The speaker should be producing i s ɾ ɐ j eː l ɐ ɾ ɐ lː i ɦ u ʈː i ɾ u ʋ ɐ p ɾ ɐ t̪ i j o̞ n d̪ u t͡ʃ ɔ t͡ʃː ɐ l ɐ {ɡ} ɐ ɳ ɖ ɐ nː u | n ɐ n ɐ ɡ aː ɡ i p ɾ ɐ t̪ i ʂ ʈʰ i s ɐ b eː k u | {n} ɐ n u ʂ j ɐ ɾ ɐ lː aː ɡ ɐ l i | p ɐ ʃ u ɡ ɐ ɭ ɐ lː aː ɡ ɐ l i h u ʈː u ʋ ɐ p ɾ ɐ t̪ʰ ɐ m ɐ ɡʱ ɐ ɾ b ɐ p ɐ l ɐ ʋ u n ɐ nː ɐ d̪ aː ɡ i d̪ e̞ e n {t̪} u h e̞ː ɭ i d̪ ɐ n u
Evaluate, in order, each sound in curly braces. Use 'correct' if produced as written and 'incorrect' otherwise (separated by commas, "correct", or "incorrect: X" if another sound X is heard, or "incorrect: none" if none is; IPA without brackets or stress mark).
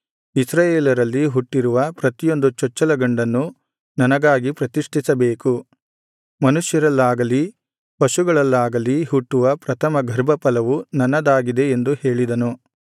correct, incorrect: m, incorrect: d̪